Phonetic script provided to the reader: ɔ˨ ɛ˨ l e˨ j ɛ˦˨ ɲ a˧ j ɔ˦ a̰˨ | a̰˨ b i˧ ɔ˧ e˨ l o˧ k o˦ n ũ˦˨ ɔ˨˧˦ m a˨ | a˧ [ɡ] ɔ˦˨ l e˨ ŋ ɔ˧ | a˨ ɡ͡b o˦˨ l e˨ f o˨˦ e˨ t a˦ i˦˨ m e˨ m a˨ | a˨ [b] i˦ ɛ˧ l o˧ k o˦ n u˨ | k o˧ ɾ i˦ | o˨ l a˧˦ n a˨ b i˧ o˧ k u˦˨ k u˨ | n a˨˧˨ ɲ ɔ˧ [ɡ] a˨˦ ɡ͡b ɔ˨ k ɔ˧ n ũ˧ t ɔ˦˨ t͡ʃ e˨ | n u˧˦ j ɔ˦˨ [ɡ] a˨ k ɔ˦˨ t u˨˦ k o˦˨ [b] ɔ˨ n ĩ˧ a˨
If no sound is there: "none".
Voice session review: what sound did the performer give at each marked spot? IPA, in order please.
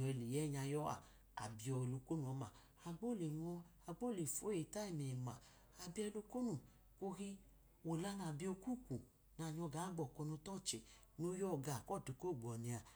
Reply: ɡ͡b, b, ɡ, ɡ, ɡ͡b

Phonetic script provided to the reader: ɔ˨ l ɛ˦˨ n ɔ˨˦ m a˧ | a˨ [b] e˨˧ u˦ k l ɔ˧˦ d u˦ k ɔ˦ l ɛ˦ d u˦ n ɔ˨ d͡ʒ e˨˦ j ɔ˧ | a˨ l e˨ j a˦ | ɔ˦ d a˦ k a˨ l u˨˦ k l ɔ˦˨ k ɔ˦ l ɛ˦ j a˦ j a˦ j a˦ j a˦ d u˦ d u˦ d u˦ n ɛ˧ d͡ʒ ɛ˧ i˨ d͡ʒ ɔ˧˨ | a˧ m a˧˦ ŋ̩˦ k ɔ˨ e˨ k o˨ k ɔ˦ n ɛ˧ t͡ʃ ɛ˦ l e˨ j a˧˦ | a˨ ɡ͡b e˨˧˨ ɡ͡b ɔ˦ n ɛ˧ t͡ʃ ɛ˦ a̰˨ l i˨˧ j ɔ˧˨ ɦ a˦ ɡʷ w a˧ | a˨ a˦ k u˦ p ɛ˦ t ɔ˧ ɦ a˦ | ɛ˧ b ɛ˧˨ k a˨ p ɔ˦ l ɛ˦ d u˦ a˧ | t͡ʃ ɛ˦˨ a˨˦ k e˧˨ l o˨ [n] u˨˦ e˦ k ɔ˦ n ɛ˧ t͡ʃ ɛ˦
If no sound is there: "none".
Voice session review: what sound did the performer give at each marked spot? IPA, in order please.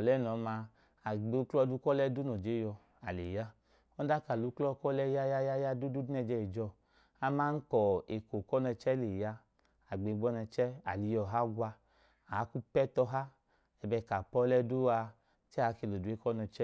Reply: ɡ͡b, d

